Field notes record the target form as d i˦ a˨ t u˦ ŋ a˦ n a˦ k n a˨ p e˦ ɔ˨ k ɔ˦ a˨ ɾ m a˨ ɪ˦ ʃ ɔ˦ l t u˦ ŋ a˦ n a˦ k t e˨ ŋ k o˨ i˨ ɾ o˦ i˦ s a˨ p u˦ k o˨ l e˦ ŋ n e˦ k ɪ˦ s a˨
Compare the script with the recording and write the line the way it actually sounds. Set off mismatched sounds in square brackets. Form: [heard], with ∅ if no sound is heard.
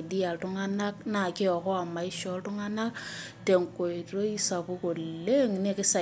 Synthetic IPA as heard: d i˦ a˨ t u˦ ŋ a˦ n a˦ k n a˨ [k] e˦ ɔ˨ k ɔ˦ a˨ [∅] m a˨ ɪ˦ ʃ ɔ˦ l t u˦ ŋ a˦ n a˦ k t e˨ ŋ k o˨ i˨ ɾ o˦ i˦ s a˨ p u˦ k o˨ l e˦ ŋ n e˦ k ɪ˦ s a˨